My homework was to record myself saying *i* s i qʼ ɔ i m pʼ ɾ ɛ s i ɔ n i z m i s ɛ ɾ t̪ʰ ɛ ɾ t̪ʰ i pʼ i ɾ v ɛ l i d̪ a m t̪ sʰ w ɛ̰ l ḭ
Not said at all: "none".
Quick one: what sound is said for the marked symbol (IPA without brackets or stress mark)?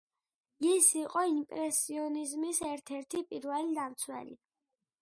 i